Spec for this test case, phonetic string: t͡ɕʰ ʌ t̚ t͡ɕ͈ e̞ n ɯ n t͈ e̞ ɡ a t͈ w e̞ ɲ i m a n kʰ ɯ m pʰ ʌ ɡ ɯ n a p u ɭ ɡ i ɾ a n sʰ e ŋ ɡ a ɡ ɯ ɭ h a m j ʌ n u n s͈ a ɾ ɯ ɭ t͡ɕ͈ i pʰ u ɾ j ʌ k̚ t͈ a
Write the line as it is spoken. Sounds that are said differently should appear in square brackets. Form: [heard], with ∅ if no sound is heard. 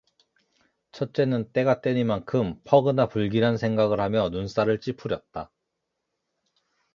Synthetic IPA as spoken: t͡ɕʰ ʌ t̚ t͡ɕ͈ e̞ n ɯ n t͈ e̞ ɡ a t͈ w e̞ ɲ i m a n kʰ ɯ m pʰ ʌ ɡ ɯ n a p u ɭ ɡ i ɾ a n sʰ e ŋ ɡ a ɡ ɯ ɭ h a m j ʌ n u n s͈ a ɾ ɯ ɭ t͡ɕ͈ i pʰ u ɾ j ʌ [t̚] t͈ a